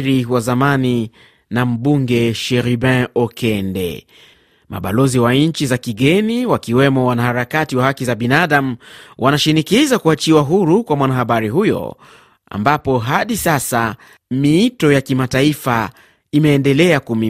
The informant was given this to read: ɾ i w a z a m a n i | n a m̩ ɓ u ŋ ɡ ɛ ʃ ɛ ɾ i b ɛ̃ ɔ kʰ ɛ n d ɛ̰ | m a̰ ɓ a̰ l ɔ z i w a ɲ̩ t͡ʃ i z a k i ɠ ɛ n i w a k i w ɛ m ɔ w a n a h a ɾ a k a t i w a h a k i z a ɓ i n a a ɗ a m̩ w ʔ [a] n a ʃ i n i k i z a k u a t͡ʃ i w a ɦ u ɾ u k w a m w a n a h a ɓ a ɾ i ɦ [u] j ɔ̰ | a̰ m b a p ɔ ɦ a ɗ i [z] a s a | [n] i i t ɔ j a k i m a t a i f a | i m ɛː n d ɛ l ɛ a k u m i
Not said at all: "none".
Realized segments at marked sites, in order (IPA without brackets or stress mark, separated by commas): a, u, s, m